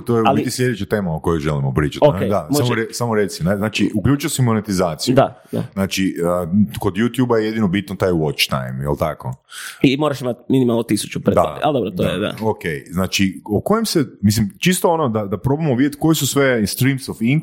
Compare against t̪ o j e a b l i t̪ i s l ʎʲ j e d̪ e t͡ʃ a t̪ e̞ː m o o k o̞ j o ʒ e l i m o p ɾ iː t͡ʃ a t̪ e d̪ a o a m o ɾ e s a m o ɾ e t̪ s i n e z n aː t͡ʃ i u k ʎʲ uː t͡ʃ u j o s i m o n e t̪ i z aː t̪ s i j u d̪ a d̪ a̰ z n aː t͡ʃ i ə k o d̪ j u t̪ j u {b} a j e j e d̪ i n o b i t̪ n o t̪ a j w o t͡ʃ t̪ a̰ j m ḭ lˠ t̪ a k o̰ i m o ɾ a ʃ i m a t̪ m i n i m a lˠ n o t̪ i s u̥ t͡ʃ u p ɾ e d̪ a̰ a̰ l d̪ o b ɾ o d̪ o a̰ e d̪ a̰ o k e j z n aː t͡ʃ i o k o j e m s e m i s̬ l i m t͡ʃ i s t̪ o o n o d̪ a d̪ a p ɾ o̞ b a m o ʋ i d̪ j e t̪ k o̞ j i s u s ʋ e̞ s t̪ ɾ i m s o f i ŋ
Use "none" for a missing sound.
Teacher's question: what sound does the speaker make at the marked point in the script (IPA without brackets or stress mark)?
b